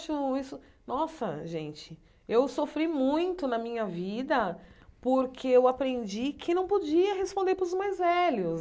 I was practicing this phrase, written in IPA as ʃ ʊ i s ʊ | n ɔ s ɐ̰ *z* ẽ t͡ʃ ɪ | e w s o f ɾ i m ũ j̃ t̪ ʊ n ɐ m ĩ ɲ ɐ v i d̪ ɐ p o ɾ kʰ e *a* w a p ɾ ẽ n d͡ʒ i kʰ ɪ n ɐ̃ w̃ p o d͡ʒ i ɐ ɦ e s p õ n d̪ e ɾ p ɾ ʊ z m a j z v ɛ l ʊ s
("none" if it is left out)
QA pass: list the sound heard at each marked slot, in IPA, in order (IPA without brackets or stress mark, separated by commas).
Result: ʒ, e